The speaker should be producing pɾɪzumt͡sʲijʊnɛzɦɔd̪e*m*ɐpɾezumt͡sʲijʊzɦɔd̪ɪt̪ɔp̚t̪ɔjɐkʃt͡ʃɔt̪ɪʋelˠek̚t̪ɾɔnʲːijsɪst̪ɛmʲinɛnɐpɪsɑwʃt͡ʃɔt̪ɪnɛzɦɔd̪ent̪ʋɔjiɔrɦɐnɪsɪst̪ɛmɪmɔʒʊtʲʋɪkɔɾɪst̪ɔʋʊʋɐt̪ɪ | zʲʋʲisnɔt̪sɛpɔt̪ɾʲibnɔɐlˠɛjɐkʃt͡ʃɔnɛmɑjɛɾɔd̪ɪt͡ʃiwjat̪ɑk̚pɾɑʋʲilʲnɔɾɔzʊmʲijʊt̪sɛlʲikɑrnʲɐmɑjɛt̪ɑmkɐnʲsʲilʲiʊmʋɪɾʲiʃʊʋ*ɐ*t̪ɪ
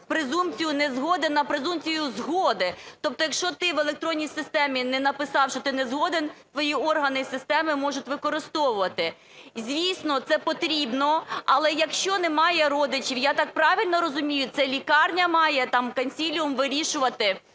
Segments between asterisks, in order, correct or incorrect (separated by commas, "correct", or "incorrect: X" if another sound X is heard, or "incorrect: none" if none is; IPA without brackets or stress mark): incorrect: n, correct